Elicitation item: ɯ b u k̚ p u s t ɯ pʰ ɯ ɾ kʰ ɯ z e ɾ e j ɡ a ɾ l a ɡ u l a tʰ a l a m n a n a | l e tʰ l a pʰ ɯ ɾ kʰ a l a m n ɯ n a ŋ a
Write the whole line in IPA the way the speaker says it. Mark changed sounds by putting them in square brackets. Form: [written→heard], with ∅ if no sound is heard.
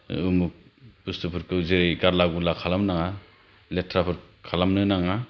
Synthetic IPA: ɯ [b→m] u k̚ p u s t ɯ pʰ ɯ ɾ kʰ ɯ z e ɾ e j ɡ a ɾ l a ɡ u l a [tʰ→kʰ] a l a m n a [n→ŋ] a | l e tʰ [l→ɾ] a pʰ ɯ ɾ kʰ a l a m n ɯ n a ŋ a